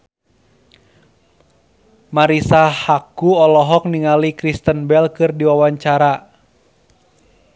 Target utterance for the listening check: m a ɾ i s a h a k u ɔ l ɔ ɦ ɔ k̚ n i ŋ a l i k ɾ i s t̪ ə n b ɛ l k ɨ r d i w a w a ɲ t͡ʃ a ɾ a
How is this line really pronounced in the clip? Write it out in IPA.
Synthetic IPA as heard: m a ɾ i s a h a k u ɔ l ɔ ɦ ɔ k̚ n i ŋ a l i k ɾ i s t̪ ə n b ɛ l k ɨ r d i w a w a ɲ t͡ʃ a ɾ a